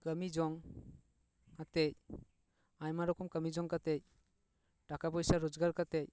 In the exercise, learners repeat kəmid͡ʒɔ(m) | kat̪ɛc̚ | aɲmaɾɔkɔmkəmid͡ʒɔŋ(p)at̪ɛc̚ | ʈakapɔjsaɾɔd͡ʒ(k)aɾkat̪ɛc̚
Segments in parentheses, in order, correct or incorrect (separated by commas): incorrect, incorrect, incorrect